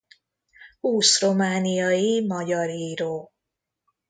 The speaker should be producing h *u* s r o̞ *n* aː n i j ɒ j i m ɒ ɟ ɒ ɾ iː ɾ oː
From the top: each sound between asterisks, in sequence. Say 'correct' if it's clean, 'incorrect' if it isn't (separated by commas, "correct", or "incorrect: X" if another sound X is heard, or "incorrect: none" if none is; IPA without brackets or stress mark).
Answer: incorrect: uː, incorrect: m